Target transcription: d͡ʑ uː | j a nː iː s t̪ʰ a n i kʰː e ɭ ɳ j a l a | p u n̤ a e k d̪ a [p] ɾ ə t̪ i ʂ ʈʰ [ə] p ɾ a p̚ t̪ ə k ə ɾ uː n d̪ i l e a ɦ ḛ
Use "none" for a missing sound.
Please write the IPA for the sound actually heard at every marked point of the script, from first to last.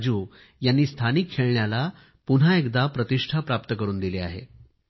p, a

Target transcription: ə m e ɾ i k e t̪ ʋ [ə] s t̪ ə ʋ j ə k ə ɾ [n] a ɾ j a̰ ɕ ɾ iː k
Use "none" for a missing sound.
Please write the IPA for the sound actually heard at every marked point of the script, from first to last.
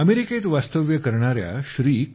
a, ɳ

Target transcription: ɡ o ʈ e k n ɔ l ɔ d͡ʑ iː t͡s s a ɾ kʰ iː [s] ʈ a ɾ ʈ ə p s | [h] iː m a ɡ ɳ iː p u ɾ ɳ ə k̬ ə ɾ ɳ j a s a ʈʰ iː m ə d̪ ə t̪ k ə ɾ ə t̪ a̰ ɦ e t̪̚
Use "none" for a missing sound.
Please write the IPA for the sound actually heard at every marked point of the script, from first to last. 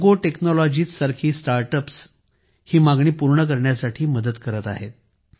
s, h

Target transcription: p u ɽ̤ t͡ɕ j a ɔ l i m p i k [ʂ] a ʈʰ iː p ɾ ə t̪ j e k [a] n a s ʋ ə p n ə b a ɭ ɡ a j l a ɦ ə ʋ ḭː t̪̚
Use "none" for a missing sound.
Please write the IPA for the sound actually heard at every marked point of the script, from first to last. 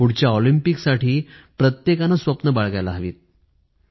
s, a

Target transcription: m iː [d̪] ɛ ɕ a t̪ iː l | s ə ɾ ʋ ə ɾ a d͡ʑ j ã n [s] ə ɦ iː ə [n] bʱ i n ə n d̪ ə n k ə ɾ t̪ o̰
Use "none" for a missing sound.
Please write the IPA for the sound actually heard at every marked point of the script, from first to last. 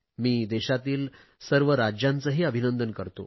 d̪, t͡s, none

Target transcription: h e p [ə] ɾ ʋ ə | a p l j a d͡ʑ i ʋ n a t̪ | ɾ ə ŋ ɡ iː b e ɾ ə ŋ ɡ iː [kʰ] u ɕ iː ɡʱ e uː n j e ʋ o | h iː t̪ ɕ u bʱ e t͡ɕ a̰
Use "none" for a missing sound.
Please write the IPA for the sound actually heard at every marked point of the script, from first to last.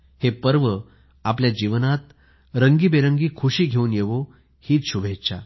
ə, kʰ

